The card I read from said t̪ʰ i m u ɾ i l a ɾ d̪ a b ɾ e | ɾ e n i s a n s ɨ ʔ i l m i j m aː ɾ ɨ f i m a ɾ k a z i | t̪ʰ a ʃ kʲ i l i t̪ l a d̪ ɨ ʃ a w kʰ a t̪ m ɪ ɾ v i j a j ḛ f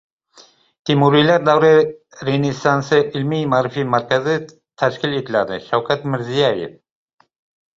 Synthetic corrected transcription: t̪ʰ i m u ɾ i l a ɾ d̪ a w ɾ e | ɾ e n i s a n s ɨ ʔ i l m i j m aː ɾ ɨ f i m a ɾ k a z i | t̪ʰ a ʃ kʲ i l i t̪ l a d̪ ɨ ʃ a w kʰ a t̪ m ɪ ɾ z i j a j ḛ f

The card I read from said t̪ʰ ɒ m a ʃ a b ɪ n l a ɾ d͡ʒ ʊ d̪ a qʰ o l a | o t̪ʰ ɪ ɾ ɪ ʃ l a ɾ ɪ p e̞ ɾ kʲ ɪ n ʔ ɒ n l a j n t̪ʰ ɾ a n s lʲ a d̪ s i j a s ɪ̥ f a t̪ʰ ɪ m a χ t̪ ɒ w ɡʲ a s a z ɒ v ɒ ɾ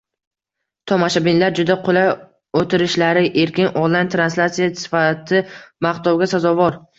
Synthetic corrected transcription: t̪ʰ ɒ m a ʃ a b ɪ n l a ɾ d͡ʒ ʊ d̪ a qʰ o l a | o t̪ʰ ɪ ɾ ɪ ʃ l a ɾ ɪ ʔ e̞ ɾ kʲ ɪ n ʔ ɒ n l a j n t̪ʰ ɾ a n s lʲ a t̪ s i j a s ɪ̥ f a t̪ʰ ɪ m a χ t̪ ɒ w ɡʲ a s a z ɒ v ɒ ɾ

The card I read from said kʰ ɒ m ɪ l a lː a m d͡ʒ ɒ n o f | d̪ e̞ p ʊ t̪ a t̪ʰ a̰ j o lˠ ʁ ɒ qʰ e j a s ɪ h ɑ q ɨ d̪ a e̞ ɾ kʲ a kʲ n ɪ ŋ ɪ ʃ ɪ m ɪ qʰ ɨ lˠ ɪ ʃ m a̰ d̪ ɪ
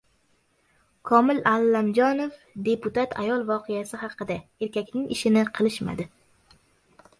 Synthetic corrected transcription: kʰ ɒ m ɪ l a lː a m d͡ʒ ɒ n o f | d̪ e̞ p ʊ t̪ a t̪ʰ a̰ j ɒ lˠ v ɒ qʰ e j a s ɪ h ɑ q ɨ d̪ a e̞ ɾ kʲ a kʲ n ɪ ŋ ɪ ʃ ɪ n ɪ qʰ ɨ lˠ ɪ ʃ m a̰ d̪ ɪ

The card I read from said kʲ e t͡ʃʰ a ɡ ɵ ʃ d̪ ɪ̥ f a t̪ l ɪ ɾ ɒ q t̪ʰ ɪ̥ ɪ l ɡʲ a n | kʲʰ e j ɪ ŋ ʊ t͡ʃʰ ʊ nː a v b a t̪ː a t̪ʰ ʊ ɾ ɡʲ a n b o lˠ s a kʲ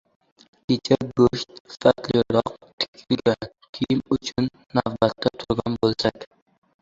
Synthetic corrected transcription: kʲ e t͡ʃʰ a ɡ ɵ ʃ t̪ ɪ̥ f a t̪ l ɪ ɾ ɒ q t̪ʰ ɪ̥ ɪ l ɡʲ a n | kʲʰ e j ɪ m ʊ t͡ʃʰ ʊ nː a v b a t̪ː a t̪ʰ ʊ ɾ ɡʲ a n b o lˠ s a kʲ

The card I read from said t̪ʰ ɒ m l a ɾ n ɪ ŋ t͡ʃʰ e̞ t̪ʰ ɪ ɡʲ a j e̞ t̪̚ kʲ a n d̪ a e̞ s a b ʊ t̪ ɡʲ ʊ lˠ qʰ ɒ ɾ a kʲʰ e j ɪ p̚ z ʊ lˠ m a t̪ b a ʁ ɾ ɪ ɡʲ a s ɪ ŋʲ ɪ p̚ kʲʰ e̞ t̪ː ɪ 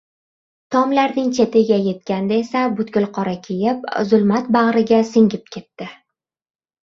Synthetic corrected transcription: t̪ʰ ɒ m l a ɾ n ɪ ŋ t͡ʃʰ e̞ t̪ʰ ɪ ɡʲ a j e̞ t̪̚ kʲ a n d̪ a e̞ s a b ʊ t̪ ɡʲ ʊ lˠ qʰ ɒ ɾ a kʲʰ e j ɪ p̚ z ʊ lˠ m a t̪ b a ʁ ɾ ɪ ɡʲ a s ɪ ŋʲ ɪ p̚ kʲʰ e̞ t̪ː ɪ

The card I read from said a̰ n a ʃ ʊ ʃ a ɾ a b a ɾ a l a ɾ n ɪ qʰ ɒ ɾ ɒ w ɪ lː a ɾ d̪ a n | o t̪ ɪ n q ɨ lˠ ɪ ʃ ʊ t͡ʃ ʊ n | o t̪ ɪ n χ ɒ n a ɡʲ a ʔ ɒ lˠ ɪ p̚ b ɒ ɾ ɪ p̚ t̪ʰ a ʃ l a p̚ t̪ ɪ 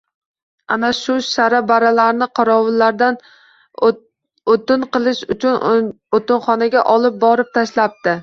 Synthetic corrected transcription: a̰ n a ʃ ʊ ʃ a ɾ a b a ɾ a l a ɾ n ɪ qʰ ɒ ɾ ɒ w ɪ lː a ɾ d̪ a n | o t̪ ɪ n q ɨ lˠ ɪ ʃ ʊ t͡ʃ ʊ n | o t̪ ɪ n χ ɒ n a ɡʲ a ʔ ɒ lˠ ɪ p̚ b ɒ ɾ ɪ p̚ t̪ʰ a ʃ l a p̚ t̪ ɪ

